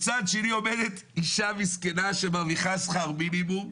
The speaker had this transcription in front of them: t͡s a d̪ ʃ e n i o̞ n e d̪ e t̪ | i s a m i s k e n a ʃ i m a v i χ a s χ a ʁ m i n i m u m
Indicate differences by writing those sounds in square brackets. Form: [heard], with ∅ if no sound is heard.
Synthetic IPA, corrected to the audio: t͡s a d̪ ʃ e n i o̞ [m] e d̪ e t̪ | i [ʃ] a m i s k e n a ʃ [e] m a v i χ a s χ a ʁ m i n i m u m